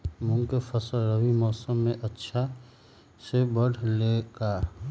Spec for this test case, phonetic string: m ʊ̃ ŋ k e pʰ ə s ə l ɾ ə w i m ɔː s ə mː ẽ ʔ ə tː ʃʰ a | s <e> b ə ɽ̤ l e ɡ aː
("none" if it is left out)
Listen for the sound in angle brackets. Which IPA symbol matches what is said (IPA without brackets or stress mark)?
e